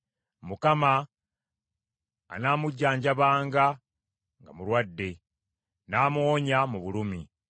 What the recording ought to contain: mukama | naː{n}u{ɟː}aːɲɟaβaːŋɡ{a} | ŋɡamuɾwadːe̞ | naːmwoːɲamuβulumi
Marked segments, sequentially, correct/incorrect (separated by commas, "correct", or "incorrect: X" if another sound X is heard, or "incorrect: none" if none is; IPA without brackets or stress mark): incorrect: m, correct, correct